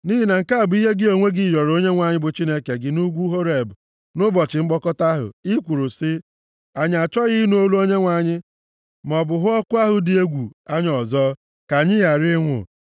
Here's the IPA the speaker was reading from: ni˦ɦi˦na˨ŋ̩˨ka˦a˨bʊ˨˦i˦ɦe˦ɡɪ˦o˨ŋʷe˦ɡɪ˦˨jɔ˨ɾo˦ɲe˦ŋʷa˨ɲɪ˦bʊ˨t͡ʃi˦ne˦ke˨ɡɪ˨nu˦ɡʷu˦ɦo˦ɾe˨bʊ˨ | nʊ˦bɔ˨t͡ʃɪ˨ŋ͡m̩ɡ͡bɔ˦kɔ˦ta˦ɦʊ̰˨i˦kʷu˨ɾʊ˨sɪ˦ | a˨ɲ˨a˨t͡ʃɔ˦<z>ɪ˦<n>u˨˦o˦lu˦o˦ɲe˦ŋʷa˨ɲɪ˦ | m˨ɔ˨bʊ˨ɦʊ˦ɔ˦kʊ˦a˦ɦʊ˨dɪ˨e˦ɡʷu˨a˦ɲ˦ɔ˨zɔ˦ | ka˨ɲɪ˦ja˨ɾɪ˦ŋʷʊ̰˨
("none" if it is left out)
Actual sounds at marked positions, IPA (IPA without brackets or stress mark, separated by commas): ɣ, n